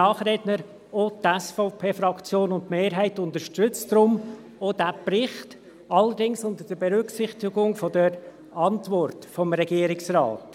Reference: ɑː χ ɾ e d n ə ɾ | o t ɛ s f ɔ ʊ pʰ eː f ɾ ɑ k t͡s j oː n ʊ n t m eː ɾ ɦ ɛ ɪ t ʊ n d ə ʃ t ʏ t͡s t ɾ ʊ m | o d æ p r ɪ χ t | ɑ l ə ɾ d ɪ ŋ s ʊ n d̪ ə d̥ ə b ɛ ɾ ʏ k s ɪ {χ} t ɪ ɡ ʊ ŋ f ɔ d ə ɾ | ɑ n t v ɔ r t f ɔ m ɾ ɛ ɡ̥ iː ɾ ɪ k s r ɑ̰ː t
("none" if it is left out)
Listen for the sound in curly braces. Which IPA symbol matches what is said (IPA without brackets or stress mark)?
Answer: χ